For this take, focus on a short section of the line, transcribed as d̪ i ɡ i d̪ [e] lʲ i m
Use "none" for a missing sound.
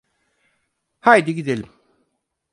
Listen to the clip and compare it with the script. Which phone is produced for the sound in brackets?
e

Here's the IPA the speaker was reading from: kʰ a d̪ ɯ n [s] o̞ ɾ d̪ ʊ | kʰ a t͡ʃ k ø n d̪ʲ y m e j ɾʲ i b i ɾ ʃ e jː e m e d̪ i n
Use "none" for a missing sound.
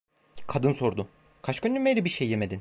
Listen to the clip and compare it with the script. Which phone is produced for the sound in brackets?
s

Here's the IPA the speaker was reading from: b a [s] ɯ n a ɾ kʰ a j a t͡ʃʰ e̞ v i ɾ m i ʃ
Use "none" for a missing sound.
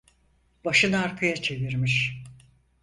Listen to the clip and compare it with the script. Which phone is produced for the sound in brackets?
ʃ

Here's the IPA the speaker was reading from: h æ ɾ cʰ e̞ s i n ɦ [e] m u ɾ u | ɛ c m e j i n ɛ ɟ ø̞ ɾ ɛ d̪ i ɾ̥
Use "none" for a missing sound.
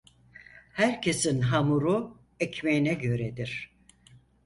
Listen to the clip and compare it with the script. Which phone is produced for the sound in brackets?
a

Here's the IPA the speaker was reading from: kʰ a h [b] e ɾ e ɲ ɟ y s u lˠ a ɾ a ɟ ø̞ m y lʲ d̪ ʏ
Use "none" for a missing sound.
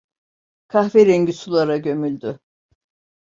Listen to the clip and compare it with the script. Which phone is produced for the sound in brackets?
v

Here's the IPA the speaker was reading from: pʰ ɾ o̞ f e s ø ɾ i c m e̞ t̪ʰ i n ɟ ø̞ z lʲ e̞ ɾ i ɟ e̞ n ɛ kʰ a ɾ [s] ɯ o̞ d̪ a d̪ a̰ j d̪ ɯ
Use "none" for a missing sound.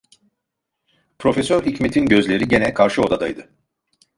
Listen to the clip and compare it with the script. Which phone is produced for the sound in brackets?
ʃ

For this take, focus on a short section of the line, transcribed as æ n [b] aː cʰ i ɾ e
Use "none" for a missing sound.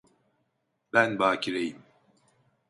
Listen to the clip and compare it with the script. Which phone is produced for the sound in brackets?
b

